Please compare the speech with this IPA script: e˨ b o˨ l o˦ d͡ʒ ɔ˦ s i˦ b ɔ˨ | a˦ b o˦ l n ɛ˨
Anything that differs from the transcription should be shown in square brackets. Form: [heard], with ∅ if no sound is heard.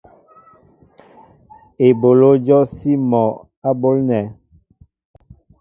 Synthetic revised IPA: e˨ b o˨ l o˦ d͡ʒ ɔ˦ s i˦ [m] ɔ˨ | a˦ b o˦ l n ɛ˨